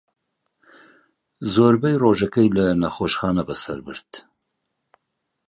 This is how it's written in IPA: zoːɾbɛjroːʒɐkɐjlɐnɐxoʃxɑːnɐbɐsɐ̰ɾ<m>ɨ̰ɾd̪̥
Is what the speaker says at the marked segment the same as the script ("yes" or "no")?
no